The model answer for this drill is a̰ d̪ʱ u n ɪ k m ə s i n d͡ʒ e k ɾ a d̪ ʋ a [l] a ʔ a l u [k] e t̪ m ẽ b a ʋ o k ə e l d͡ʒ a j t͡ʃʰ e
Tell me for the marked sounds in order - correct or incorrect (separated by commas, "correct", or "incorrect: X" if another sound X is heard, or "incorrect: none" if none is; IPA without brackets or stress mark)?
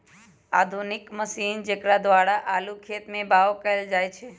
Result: incorrect: ɽ, incorrect: kʰ